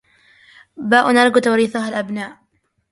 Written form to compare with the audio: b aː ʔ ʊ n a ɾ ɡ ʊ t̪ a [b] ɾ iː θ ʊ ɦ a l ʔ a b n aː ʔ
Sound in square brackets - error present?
yes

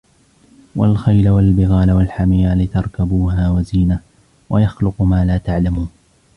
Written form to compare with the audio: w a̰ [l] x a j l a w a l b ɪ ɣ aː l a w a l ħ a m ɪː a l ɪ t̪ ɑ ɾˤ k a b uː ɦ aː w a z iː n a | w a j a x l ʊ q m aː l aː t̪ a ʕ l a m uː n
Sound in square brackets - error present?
no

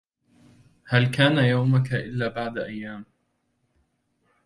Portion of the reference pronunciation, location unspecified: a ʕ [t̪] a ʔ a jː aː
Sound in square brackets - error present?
yes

